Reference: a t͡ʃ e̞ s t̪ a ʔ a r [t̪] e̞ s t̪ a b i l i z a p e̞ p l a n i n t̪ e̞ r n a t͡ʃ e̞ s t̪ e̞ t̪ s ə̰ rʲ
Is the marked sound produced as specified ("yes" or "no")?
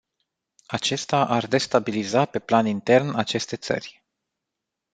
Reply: no